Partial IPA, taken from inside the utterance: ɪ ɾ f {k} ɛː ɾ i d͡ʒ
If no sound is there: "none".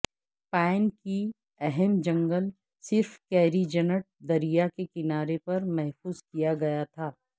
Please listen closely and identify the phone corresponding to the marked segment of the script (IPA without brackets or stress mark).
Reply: k